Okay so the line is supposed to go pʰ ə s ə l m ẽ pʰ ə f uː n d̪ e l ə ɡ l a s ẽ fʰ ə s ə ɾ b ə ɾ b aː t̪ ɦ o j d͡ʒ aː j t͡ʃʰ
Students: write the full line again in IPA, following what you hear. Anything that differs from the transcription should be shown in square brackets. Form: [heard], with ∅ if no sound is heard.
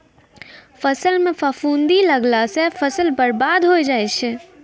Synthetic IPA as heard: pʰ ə s ə l m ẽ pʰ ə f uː n d̪ [i] l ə ɡ l a s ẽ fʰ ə s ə [l] b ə ɾ b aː [d̪] ɦ o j d͡ʒ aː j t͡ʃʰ